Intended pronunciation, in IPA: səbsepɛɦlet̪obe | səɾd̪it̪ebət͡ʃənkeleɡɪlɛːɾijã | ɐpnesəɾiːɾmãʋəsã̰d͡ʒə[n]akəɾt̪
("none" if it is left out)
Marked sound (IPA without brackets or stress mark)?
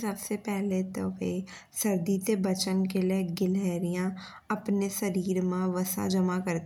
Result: m